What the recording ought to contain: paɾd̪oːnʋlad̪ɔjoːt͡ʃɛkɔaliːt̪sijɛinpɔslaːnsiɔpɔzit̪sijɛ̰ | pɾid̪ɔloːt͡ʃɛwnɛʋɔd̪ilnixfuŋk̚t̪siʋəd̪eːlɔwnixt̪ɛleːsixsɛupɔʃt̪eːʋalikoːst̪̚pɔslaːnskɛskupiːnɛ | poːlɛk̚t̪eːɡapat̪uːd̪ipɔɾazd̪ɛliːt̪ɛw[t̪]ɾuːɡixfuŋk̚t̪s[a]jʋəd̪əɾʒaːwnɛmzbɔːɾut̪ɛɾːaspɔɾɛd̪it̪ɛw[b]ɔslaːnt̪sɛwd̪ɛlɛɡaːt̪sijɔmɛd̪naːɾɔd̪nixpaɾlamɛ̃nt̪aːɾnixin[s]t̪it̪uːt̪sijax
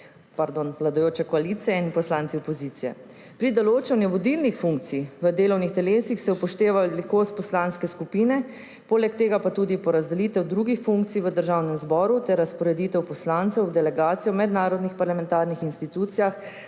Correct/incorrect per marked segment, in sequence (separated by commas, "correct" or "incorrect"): incorrect, incorrect, incorrect, correct